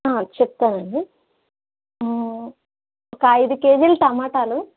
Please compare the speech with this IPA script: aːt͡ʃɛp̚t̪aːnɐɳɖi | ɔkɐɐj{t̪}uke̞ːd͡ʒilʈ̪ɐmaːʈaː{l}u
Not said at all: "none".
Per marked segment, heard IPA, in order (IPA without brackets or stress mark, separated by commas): d̪, l